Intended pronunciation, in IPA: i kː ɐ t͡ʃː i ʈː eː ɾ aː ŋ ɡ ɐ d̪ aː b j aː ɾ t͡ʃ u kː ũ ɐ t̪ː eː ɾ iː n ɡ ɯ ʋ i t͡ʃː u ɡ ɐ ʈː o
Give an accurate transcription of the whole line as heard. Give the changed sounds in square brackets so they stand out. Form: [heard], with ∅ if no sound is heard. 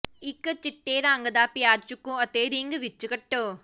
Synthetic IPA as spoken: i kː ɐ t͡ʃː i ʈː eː ɾ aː ŋ ɡ ɐ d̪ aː [p] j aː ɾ t͡ʃ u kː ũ ɐ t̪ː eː ɾ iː [ŋ] ɡ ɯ ʋ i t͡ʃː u [k] ɐ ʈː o